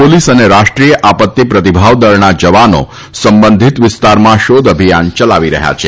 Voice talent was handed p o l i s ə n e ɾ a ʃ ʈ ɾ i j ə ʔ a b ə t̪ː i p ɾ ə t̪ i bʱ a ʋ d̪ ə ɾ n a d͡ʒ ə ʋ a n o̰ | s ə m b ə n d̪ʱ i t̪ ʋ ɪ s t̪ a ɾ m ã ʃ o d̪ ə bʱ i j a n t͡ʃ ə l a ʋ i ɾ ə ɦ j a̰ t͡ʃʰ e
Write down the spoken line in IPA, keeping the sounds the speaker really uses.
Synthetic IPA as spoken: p o l i s ə n e ɾ a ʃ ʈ ɾ i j ə ʔ a p ə t̪ː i p ɾ ə t̪ i bʱ a ʋ d̪ ə ɾ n a d͡ʒ ə ʋ a n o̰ | s ə m b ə n d̪ʱ i t̪ ʋ ɪ s t̪ a ɾ m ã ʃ o d̪ ə bʱ i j a n t͡ʃ ə l a ʋ i ɾ ə ɦ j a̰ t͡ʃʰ e